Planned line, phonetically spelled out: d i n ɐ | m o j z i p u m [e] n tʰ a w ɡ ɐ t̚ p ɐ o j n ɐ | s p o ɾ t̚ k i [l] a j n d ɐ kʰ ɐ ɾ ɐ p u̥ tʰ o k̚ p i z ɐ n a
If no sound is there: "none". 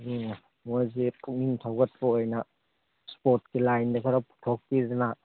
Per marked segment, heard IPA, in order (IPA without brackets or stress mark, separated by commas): i, l